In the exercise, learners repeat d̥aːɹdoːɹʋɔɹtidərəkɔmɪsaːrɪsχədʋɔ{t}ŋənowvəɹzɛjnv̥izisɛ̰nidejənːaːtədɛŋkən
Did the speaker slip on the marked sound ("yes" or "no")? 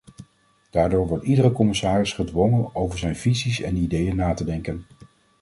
yes